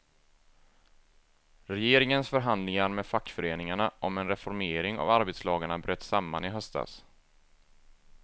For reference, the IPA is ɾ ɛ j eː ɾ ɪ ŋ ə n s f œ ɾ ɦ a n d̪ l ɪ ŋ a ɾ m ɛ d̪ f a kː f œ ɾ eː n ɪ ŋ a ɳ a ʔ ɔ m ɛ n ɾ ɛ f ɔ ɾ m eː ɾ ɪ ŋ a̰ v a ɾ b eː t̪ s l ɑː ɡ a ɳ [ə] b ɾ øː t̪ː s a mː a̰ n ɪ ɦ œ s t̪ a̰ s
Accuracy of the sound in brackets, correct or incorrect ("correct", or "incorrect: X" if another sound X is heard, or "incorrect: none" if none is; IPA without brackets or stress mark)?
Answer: incorrect: a